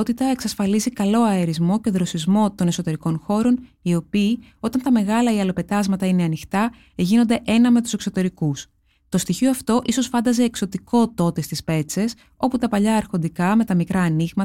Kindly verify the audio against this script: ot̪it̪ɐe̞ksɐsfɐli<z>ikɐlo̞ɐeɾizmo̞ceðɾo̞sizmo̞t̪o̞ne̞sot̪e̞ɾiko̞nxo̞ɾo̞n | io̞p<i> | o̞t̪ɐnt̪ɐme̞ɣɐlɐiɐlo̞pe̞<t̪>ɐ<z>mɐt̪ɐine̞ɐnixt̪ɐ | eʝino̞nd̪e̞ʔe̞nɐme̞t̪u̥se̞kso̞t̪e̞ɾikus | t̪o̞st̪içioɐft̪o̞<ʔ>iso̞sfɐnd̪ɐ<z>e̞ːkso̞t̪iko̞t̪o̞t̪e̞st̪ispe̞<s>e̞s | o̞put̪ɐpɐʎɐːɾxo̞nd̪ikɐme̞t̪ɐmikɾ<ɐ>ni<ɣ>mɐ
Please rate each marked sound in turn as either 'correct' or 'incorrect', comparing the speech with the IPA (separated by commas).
correct, incorrect, correct, correct, correct, correct, incorrect, incorrect, correct